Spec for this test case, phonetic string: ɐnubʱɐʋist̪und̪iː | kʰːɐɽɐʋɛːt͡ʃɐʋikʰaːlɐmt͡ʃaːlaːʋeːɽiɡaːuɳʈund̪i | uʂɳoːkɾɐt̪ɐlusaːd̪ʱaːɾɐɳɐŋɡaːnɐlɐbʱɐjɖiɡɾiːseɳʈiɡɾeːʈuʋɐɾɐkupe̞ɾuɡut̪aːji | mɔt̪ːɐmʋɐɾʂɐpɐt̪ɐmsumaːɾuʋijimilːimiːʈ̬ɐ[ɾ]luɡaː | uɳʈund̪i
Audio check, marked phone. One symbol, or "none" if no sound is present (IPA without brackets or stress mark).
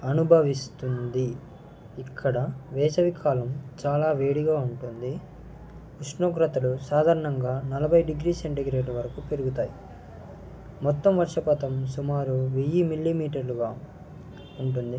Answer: ɾ